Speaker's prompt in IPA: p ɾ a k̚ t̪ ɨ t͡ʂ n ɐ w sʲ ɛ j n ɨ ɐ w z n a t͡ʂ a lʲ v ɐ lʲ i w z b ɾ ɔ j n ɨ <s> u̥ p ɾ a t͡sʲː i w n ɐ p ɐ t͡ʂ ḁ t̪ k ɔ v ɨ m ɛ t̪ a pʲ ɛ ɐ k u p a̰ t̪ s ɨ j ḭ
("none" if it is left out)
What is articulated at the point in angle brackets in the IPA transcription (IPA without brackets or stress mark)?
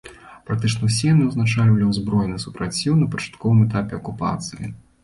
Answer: s